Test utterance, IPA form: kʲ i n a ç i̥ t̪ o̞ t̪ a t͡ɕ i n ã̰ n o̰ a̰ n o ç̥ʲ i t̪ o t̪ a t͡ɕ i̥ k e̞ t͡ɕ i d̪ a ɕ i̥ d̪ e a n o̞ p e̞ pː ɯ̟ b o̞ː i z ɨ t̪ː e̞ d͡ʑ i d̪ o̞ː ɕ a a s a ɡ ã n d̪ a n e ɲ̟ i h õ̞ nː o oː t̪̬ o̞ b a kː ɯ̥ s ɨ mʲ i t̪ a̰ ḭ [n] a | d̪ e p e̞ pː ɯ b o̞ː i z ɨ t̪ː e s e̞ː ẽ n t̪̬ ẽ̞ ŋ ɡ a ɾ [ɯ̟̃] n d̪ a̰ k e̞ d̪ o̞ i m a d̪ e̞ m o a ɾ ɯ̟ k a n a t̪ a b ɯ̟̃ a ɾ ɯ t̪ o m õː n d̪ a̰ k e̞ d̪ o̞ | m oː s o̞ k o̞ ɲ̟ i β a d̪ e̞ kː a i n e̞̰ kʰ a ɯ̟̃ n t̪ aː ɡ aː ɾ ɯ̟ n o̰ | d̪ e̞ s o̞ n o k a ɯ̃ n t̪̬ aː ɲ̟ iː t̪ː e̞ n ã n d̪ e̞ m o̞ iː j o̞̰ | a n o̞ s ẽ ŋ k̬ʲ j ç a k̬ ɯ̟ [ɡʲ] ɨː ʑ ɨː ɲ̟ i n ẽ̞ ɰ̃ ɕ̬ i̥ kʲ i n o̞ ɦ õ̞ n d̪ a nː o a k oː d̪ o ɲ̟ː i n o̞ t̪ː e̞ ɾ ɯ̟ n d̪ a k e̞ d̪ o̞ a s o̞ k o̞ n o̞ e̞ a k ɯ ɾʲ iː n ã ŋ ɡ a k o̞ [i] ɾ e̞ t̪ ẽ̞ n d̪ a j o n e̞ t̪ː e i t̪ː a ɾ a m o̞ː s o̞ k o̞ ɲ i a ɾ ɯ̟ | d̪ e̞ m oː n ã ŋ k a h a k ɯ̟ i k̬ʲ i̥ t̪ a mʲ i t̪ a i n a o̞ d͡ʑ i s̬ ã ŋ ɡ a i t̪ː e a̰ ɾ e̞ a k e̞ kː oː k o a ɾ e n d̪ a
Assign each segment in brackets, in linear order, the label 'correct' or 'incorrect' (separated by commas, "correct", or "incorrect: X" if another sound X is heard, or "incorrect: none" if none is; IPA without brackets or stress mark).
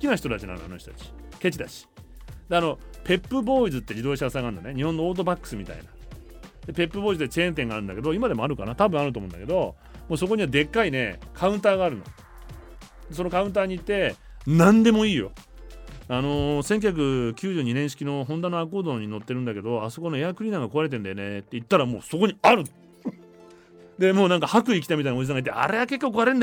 correct, incorrect: ɯ̟, incorrect: kʲ, incorrect: a